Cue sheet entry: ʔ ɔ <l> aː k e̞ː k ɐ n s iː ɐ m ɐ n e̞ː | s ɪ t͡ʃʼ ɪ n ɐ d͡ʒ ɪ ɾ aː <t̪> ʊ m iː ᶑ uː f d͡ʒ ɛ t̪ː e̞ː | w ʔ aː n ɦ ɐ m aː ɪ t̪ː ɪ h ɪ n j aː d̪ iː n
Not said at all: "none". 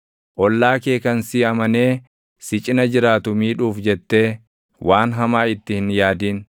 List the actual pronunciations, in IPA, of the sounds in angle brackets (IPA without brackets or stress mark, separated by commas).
lː, t̪